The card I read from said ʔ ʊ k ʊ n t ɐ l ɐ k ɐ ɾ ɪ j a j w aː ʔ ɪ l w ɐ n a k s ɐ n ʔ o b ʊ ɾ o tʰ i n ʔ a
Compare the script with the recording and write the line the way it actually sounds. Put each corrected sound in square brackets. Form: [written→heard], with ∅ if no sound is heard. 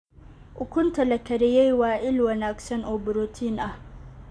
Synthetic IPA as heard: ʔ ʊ k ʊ n t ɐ l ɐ k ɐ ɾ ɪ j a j w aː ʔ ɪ l w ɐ n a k s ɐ n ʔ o b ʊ ɾ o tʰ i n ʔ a